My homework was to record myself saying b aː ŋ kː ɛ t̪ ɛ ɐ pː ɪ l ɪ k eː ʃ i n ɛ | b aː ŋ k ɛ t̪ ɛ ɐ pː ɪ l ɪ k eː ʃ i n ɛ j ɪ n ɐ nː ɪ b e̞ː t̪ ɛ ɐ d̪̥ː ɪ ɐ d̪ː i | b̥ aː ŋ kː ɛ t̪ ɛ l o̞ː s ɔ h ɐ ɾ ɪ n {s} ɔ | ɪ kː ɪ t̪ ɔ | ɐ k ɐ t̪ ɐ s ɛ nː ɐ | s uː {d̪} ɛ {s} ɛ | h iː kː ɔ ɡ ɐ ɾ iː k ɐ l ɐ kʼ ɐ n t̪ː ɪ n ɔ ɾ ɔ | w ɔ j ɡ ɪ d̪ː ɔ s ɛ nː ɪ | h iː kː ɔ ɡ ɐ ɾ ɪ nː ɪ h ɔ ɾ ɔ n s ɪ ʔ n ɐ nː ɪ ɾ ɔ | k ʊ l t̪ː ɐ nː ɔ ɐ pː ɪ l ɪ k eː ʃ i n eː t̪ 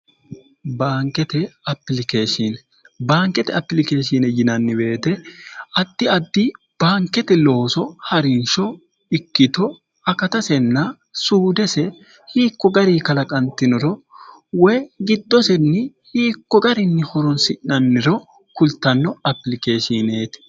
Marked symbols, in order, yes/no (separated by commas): no, yes, yes